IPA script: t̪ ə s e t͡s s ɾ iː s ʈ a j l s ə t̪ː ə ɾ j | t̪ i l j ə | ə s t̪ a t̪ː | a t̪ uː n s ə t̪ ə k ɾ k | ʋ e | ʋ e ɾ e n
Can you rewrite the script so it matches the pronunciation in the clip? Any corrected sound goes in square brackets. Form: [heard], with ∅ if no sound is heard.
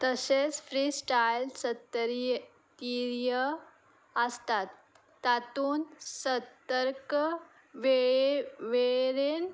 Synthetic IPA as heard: t̪ ə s e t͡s [f] ɾ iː s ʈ a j l s ə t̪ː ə ɾ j | t̪ i [ɾ] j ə | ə s t̪ a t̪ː | a t̪ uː n s ə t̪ ə [∅] ɾ k | ʋ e | ʋ e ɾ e n